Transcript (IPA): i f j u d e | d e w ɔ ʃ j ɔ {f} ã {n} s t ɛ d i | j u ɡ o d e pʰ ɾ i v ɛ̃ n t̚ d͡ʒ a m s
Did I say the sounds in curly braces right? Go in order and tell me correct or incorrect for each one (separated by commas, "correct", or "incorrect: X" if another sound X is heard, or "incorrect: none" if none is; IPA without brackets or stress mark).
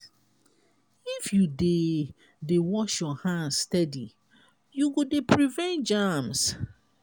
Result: incorrect: h, correct